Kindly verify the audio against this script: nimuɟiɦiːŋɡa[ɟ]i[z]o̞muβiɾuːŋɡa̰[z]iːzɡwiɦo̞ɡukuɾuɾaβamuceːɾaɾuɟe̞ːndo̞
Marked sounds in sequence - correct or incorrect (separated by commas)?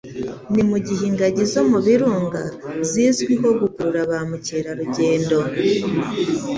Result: correct, correct, correct